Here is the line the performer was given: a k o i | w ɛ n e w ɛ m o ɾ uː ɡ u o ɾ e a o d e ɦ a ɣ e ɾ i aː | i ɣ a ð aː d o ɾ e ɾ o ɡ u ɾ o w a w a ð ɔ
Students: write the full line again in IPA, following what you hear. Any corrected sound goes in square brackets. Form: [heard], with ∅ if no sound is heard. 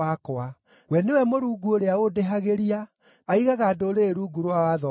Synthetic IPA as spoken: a k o [a] | w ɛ n e w ɛ m o ɾ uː ɡ u o ɾ e a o d e ɦ a ɣ e ɾ i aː | i ɣ a [ɣ] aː d o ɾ e ɾ [u] ɡ u ɾ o w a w a ð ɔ